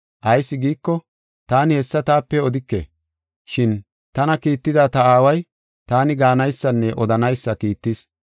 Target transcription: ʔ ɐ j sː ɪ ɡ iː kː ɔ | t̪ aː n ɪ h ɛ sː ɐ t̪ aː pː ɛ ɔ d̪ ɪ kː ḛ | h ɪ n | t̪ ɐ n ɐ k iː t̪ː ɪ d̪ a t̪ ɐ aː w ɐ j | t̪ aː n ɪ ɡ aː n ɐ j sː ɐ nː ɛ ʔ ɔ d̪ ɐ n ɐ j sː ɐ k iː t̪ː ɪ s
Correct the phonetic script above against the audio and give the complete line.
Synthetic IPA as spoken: ʔ ɐ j sː ɪ ɡ iː kː ɔ | t̪ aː n ɪ h ɛ sː ɐ t̪ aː pː ɛ ɔ d̪ ɪ kː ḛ | ʃ ɪ n | t̪ ɐ n ɐ k iː t̪ː ɪ d̪ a t̪ ɐ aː w ɐ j | t̪ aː n ɪ ɡ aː n ɐ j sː ɐ nː ɛ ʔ ɔ d̪ ɐ n ɐ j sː ɐ k iː t̪ː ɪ s